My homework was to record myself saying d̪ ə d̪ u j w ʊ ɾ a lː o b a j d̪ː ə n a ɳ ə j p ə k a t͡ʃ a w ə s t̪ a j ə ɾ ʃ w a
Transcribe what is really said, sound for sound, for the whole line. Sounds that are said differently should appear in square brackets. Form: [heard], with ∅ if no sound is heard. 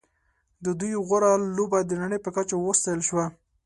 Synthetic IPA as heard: d̪ ə d̪ u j [ɣ] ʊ ɾ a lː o b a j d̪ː ə n a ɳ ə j p ə k a t͡ʃ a w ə s t̪ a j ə [l] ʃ w a